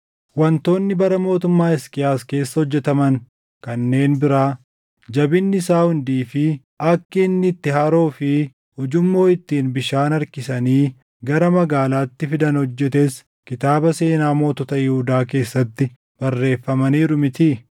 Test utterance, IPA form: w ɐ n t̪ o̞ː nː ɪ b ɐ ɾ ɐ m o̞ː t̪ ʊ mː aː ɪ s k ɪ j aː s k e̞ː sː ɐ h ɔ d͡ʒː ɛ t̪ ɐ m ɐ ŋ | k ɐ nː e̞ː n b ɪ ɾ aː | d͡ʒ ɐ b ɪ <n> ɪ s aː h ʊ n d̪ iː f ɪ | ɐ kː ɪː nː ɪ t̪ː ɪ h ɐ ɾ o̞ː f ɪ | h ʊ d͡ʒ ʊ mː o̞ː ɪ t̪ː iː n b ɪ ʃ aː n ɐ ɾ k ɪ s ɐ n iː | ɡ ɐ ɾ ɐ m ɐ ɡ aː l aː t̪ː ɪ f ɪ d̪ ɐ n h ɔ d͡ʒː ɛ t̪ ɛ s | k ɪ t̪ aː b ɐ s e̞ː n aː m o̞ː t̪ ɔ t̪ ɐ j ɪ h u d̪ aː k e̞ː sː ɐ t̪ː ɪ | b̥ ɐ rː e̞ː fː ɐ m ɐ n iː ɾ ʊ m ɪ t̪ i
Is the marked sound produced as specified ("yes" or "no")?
no